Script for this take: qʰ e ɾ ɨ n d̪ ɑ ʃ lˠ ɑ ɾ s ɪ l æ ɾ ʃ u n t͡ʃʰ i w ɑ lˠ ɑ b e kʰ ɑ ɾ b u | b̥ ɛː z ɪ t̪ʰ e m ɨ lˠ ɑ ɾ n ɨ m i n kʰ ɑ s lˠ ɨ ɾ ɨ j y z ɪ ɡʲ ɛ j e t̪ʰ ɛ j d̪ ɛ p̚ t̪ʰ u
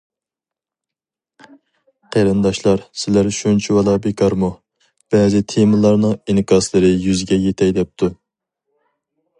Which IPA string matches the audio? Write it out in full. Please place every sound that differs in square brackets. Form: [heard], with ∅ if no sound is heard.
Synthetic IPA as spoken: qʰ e ɾ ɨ n d̪ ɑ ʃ lˠ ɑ ɾ s ɪ l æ ɾ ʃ u n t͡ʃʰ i w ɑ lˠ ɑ b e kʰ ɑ ɾ [m] u | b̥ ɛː z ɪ t̪ʰ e m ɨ lˠ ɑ ɾ n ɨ [ŋ] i n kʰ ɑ s lˠ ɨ ɾ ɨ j y z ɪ ɡʲ ɛ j e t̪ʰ ɛ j d̪ ɛ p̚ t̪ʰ u